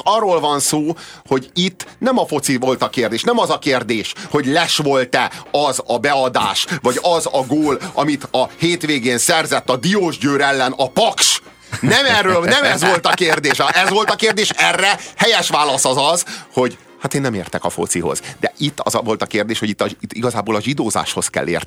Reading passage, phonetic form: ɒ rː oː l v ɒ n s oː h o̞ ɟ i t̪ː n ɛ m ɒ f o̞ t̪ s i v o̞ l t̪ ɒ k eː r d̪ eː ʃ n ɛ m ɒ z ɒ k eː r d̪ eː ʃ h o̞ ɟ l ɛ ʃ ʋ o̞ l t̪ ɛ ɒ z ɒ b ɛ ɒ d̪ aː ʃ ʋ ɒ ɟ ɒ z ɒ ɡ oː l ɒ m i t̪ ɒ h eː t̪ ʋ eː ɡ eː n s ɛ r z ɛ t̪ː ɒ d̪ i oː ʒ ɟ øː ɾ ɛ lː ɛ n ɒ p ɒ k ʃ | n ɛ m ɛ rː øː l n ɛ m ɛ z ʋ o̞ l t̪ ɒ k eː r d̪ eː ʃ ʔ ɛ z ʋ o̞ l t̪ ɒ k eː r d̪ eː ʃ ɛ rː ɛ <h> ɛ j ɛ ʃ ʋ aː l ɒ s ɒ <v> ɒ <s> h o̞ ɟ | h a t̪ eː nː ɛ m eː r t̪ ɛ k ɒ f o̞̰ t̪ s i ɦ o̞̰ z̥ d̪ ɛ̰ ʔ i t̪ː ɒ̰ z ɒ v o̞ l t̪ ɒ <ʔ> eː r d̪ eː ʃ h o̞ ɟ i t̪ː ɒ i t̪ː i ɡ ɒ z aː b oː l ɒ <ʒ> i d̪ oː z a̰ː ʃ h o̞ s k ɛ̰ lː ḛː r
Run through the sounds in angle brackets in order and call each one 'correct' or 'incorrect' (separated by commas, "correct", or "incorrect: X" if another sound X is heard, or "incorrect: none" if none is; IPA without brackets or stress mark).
correct, incorrect: z, incorrect: z, incorrect: k, correct